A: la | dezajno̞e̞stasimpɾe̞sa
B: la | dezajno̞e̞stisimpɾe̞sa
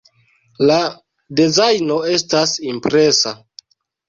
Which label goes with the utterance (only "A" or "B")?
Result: A